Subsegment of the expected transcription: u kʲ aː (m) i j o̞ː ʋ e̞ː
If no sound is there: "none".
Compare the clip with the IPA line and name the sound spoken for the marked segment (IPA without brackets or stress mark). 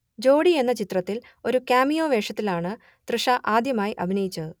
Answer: m